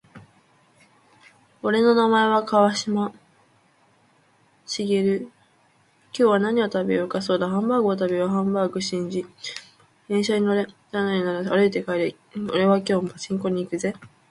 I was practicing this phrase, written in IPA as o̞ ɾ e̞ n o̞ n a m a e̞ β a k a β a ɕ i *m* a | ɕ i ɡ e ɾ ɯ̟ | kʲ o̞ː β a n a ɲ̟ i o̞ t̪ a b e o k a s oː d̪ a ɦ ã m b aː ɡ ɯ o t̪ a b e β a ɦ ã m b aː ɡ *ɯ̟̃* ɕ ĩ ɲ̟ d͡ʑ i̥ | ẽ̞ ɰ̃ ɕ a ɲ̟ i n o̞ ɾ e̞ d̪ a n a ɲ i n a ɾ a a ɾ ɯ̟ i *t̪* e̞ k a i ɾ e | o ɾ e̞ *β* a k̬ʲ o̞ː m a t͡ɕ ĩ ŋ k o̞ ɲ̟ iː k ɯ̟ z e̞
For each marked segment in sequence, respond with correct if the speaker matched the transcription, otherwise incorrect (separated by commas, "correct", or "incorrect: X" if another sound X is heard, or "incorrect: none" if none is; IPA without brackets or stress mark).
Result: correct, incorrect: ɯ̟, correct, correct